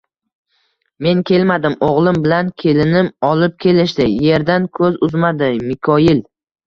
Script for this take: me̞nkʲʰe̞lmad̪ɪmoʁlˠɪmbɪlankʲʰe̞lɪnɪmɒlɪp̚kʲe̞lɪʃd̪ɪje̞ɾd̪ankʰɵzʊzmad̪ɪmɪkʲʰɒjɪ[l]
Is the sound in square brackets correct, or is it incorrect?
correct